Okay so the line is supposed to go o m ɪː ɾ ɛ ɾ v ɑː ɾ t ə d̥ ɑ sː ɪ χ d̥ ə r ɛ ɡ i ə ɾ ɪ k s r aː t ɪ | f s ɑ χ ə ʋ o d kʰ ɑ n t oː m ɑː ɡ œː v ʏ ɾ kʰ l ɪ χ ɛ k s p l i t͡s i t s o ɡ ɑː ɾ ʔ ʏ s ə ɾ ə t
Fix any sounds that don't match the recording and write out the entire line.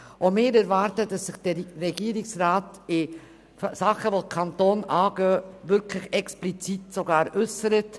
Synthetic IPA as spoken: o m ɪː ɾ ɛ ɾ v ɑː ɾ t ə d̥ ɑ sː ɪ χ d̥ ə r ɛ ɡ i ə ɾ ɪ k s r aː t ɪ | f s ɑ χ ə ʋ o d kʰ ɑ n t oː n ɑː ɡ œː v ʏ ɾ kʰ l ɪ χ ɛ k s p l i t͡s i t s o ɡ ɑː ɾ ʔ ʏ s ə ɾ ə t